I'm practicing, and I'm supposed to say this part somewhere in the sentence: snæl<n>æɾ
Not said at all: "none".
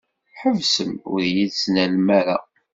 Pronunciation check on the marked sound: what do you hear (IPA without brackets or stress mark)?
m